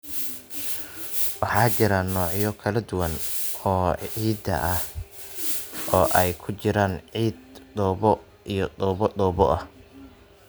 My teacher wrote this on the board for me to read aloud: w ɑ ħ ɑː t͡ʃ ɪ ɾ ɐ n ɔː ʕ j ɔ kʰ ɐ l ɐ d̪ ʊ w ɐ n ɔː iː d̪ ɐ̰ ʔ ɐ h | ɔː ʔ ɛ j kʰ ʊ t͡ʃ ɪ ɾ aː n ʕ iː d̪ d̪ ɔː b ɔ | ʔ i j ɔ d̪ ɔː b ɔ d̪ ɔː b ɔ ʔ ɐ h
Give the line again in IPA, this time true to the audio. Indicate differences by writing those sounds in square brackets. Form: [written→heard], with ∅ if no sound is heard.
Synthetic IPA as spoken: w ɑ ħ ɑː t͡ʃ ɪ ɾ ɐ n ɔː ʕ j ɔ kʰ ɐ l ɐ d̪ ʊ w ɐ n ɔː iː d̪ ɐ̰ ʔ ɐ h | ɔː ʔ ɛ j kʰ ʊ t͡ʃ ɪ ɾ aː n ʕ iː d̪ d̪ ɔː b ɔ | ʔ i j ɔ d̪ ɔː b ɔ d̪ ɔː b ɔ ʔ ɐ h

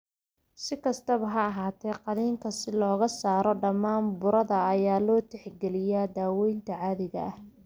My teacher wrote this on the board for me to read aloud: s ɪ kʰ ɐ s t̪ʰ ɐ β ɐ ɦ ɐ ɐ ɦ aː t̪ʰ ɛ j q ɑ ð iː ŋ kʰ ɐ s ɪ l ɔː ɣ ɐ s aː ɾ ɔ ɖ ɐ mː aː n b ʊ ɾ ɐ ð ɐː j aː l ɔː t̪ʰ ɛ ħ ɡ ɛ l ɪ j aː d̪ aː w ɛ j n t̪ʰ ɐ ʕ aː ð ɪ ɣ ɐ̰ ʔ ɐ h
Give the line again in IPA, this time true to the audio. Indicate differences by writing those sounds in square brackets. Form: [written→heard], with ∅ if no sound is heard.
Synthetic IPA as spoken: s ɪ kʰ ɐ s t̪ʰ ɐ β ɐ ɦ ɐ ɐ ɦ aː t̪ʰ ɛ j q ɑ ð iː ŋ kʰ ɐ s ɪ l ɔː ɣ ɐ s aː ɾ ɔ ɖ ɐ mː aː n b ʊ ɾ ɐ ð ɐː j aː l ɔː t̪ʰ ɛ ħ ɡ ɛ l ɪ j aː d̪ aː w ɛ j n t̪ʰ ɐ ʕ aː ð ɪ ɣ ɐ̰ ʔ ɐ h

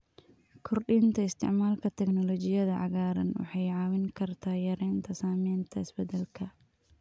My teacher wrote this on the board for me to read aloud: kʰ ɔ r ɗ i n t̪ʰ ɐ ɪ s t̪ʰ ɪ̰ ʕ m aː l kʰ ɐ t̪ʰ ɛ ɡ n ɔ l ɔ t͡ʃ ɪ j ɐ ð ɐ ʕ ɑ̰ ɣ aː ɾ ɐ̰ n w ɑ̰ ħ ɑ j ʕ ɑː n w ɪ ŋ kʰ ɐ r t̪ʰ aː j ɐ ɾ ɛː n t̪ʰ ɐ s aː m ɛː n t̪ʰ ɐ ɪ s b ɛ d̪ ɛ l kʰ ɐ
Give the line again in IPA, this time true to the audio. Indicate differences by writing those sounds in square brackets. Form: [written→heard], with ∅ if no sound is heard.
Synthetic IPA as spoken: kʰ ɔ r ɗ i n t̪ʰ ɐ ɪ s t̪ʰ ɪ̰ ʕ m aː l kʰ ɐ t̪ʰ ɛ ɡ n ɔ l ɔ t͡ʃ ɪ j ɐ ð ɐ ʕ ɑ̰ ɣ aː ɾ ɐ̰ n w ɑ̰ ħ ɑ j ʕ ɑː [n→∅] w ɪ ŋ kʰ ɐ r t̪ʰ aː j ɐ ɾ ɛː n t̪ʰ ɐ s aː m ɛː n t̪ʰ ɐ ɪ s b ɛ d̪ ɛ l kʰ ɐ

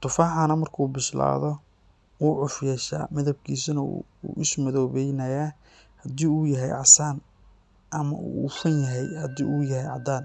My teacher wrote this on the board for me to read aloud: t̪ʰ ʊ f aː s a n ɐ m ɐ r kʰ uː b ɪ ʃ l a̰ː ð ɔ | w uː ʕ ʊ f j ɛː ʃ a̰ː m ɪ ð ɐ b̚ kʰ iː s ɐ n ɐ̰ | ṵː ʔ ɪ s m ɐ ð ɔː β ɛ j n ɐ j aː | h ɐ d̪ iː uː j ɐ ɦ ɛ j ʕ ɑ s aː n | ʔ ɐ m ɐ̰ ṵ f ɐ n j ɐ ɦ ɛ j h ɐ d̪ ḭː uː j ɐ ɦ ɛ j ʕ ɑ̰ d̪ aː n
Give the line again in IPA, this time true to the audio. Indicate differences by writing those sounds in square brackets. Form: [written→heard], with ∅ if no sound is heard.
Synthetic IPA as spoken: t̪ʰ ʊ f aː [s→ħ] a n ɐ m ɐ r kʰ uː b ɪ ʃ l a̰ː ð ɔ | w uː ʕ ʊ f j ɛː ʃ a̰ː m ɪ ð ɐ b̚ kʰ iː s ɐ n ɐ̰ | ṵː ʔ ɪ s m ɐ ð ɔː β ɛ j n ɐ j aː | h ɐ d̪ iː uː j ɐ ɦ ɛ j ʕ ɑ s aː n | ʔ ɐ m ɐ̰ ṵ f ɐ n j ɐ ɦ ɛ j h ɐ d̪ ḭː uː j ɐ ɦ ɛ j ʕ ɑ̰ d̪ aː n

